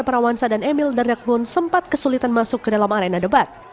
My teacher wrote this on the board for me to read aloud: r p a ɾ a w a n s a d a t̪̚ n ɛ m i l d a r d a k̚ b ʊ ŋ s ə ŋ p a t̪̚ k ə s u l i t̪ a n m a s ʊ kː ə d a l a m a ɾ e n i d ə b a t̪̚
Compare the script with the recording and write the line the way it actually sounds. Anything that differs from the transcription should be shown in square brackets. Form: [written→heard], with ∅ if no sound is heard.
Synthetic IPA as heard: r p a ɾ a w a n s a d a [t̪̚→∅] n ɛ m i l d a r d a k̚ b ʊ [ŋ→n] s ə [ŋ→m] p a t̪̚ k ə s u l i t̪ a n m a s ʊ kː ə d a l a m a ɾ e n [i→a] d ə b a t̪̚